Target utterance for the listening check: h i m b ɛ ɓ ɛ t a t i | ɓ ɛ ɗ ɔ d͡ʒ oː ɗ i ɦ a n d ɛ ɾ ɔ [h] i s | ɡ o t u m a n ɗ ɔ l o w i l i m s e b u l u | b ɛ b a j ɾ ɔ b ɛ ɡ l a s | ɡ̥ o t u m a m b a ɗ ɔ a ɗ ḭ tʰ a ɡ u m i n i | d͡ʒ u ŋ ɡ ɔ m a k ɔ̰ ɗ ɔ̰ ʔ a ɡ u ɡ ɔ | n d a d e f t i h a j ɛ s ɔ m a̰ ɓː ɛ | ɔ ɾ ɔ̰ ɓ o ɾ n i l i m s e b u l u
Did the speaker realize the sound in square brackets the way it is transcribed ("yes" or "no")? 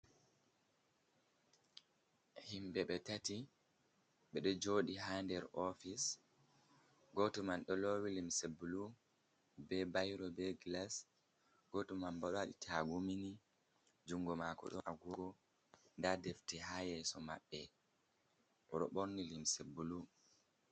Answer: no